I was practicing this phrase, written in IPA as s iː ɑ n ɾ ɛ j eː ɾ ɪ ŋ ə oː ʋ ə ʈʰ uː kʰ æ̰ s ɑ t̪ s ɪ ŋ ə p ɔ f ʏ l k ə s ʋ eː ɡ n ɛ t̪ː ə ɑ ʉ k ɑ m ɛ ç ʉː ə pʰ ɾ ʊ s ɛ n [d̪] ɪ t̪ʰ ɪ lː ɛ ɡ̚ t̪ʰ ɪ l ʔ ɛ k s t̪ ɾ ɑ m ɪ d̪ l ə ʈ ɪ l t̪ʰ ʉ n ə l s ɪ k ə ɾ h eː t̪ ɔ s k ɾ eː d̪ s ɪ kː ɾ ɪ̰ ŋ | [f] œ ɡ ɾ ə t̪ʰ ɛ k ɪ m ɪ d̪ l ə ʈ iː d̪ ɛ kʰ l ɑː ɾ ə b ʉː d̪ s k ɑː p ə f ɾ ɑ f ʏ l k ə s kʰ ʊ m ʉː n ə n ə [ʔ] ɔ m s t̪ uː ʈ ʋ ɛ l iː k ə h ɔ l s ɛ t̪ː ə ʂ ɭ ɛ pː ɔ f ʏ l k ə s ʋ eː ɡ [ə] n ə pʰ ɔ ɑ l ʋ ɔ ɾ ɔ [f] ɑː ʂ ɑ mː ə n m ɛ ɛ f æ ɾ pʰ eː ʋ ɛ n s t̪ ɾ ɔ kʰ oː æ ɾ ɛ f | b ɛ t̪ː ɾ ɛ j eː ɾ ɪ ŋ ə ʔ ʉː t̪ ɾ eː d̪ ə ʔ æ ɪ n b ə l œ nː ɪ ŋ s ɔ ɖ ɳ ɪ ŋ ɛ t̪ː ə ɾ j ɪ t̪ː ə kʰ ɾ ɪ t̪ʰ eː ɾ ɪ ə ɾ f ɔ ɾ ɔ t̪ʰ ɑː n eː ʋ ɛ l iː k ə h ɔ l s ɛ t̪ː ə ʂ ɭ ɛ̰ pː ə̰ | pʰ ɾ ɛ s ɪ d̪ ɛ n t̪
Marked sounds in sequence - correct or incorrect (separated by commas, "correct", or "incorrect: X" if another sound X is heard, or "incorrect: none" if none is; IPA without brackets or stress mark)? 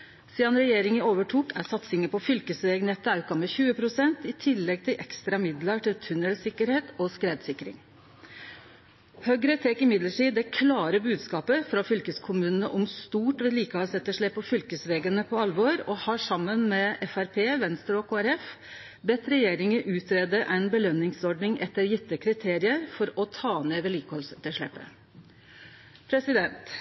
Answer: incorrect: t̪, incorrect: h, correct, correct, incorrect: h